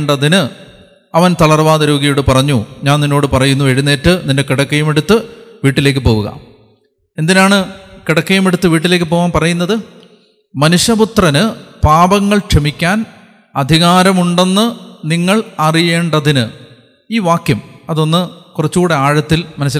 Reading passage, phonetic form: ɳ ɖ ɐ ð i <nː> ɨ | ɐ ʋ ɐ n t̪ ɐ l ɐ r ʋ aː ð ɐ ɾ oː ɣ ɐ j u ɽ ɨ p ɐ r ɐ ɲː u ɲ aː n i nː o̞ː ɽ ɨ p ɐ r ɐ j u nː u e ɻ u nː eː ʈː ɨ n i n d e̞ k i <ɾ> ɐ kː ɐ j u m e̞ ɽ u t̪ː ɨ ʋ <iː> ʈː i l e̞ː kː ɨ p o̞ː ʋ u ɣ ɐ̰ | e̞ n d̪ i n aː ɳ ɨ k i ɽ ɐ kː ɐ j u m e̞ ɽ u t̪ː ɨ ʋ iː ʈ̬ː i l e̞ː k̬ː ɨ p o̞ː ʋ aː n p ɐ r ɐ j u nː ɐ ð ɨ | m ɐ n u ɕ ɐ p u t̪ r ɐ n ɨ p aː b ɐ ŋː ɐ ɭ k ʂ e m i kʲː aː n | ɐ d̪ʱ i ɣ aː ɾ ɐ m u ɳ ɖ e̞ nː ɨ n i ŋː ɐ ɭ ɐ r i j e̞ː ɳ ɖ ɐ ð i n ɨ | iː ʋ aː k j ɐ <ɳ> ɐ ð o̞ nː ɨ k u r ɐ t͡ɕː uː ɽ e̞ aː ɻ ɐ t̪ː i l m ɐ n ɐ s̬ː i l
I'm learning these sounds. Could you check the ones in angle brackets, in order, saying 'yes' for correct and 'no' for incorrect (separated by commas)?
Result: no, no, yes, no